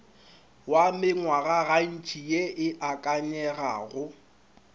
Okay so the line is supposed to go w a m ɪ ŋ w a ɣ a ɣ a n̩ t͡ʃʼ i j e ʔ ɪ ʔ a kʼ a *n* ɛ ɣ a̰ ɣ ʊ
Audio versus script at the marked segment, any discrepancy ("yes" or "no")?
yes